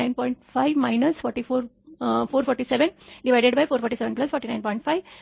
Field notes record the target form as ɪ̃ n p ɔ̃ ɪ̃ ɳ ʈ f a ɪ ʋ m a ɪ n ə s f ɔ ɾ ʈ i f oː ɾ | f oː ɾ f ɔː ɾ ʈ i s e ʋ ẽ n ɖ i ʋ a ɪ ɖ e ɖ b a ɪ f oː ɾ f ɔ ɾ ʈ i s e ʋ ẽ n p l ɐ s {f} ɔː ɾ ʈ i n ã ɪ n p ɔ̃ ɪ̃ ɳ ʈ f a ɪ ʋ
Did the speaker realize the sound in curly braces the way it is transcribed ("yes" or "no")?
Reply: yes